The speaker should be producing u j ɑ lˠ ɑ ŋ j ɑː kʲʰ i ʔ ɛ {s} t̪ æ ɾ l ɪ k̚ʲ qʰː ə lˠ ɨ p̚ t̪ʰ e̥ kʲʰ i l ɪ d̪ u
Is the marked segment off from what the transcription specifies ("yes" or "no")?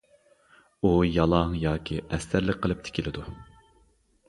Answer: no